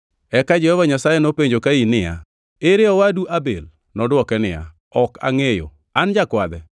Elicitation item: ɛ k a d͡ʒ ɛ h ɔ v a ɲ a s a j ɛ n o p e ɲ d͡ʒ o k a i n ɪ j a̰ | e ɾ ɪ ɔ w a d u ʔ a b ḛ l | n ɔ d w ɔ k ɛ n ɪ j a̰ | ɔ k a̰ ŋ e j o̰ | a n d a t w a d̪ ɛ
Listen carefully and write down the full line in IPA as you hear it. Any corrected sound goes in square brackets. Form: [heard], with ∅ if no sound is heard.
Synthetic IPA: ɛ k a d͡ʒ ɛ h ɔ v a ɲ a s a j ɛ n o p e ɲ d͡ʒ o k a i n ɪ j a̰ | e ɾ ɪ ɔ w a d u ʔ a b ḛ l | n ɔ d w ɔ k ɛ n ɪ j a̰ | ɔ k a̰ ŋ e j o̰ | a n [d͡ʒ] a [k] w a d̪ ɛ